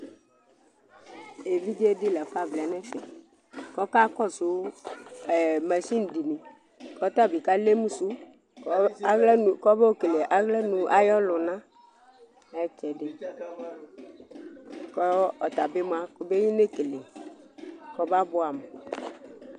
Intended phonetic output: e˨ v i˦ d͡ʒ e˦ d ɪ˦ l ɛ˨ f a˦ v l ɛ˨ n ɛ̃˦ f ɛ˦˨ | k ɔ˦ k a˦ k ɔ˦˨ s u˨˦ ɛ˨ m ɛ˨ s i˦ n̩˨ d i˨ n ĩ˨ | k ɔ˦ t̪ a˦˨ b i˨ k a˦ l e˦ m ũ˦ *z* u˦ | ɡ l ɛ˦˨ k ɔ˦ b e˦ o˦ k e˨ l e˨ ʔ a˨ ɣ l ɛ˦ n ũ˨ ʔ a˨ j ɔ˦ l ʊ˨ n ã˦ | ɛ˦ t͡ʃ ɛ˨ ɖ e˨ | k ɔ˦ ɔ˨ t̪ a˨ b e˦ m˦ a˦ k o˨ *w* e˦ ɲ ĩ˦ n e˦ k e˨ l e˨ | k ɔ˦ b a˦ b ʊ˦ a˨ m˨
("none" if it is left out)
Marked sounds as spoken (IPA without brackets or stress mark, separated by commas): s, b